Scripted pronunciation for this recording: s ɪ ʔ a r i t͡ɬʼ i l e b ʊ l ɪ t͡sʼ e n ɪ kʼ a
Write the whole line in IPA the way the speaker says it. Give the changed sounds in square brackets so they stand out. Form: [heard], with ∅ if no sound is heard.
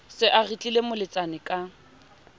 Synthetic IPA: s ɪ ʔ a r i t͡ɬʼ i l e [m] ʊ l ɪ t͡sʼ [a] n ɪ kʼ a